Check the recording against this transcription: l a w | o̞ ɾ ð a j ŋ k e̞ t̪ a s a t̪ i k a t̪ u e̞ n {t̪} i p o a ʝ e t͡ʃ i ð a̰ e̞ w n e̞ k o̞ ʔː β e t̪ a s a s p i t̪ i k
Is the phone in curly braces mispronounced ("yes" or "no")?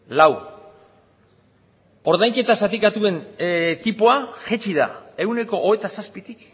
no